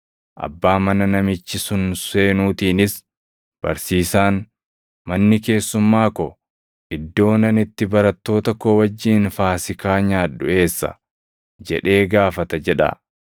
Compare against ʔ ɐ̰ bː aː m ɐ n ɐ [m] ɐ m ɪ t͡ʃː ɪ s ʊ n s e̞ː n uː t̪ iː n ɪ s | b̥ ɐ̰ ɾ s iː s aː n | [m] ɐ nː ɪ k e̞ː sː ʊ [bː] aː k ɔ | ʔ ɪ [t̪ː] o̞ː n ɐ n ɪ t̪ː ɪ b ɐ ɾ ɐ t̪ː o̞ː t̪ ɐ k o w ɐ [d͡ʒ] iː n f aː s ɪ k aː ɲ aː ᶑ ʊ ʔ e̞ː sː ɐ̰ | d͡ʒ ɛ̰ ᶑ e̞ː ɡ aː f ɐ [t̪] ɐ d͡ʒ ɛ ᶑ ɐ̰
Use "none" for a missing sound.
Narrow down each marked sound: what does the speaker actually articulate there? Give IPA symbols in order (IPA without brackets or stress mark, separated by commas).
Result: n, m, mː, d̪ː, d͡ʒː, t̪